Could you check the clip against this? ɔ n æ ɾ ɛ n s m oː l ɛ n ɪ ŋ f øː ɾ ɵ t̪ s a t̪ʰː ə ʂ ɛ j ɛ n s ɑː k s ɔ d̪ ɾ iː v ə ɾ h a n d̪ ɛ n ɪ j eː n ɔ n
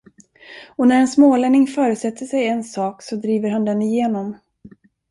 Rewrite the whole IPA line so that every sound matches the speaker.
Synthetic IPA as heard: ɔ n æ ɾ ɛ n s m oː l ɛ n ɪ ŋ f œː ɾ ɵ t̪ s ɛ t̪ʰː ə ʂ ɛ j ɛ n s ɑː k s ɔ d̪ ɾ iː v ə ɾ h a n d̪ ɛ n ɪ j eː n ɔ m